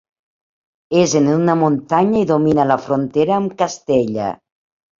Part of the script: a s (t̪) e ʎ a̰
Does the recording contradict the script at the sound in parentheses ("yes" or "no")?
no